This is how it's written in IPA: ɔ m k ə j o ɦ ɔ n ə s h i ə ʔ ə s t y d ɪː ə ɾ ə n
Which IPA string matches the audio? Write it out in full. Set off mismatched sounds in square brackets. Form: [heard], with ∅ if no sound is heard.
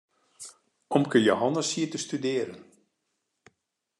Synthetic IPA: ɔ m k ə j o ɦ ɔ n ə s h i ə [t] ə s t y d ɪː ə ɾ ə n

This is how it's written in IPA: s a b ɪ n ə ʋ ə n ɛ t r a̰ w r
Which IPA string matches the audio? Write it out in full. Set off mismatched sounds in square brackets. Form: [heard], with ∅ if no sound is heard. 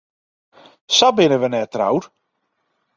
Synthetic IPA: s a b ɪ n ə ʋ ə n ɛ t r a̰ w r

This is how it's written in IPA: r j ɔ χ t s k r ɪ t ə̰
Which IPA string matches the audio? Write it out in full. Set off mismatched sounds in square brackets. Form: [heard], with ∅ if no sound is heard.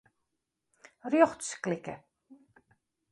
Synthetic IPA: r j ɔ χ t s k [l] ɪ [k] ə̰

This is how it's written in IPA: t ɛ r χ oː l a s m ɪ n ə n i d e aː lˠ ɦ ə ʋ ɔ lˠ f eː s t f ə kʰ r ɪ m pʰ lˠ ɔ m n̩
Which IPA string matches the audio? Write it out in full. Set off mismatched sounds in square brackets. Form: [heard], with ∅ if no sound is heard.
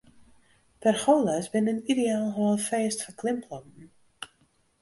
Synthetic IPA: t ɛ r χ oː l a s [b] ɪ n ə n i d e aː lˠ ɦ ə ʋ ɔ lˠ f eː s t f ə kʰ [l] ɪ m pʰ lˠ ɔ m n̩

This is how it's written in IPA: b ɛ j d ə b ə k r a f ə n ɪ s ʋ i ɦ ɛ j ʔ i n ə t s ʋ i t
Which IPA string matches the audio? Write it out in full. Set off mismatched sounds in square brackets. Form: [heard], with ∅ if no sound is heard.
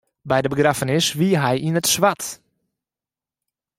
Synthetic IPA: b ɛ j d ə b ə [ɡ] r a f ə n ɪ s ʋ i ɦ ɛ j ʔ i n ə t s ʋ [a] t

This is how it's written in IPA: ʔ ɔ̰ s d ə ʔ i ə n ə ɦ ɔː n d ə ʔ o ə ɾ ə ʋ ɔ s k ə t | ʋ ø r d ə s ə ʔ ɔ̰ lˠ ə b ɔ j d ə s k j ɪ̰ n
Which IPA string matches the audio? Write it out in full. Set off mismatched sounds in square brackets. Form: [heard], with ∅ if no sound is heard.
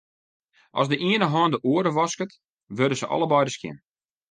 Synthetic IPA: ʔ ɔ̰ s d ə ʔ i ə n ə ɦ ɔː n d ə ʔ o ə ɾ ə ʋ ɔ s k ə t | ʋ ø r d ə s ə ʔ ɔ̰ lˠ ə b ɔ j d ə s k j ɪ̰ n

